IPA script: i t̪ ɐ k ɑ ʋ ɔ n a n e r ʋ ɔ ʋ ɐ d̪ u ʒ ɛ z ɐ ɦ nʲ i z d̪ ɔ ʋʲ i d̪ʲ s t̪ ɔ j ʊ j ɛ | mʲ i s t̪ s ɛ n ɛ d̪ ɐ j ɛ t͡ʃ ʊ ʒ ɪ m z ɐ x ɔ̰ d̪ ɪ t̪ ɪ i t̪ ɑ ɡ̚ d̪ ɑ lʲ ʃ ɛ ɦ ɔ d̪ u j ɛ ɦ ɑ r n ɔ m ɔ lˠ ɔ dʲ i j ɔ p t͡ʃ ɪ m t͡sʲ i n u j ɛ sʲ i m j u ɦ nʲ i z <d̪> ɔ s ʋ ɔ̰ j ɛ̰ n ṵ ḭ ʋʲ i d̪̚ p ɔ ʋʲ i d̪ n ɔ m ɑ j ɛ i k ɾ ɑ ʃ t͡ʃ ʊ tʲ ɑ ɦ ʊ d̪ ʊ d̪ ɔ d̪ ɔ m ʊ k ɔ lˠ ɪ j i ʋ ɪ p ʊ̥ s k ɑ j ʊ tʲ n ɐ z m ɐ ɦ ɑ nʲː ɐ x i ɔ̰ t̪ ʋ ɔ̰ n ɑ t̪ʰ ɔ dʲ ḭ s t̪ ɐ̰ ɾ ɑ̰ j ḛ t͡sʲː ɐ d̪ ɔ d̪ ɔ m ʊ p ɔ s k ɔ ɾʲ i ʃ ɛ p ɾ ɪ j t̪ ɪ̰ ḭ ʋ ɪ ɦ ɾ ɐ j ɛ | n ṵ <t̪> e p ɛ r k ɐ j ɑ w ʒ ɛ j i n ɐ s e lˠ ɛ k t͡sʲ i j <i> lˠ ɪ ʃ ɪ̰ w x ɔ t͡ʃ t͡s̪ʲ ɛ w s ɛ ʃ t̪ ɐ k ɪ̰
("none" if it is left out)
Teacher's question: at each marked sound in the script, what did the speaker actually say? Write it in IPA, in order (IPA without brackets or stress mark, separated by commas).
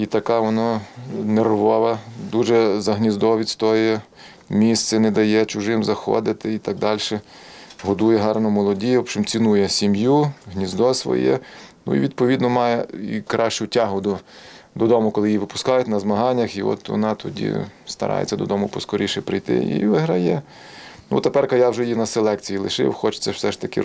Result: d̪, t̪, i